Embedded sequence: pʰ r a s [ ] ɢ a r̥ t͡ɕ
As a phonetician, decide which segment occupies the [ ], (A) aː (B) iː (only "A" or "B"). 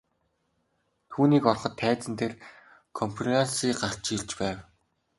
B